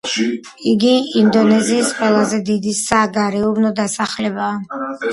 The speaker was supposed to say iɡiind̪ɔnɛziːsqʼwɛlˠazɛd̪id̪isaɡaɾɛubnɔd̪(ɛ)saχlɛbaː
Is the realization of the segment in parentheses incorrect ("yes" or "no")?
yes